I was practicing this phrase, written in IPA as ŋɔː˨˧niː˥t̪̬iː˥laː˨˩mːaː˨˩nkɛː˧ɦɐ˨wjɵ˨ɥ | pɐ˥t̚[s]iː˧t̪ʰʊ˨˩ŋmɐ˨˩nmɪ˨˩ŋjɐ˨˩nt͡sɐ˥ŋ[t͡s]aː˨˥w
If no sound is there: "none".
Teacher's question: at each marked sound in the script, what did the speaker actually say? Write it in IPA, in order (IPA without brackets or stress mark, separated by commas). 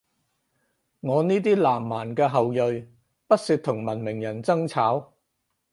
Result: s, t͡sʰ